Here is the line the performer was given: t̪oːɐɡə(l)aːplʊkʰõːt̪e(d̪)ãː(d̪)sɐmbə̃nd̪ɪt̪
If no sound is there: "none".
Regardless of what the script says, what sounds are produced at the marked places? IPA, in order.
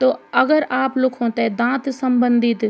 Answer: ɾ, d̪, t̪

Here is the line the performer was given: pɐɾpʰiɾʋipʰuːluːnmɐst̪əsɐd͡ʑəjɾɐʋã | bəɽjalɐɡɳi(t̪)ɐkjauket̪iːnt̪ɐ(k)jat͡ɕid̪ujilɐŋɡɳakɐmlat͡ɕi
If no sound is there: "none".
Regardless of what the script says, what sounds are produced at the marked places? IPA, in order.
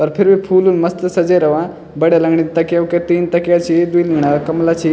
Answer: t̪, k

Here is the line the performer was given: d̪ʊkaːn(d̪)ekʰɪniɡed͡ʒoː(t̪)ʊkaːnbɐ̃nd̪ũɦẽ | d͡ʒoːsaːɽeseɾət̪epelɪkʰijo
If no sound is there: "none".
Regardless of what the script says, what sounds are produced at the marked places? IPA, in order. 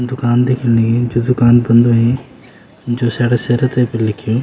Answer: d̪, d̪

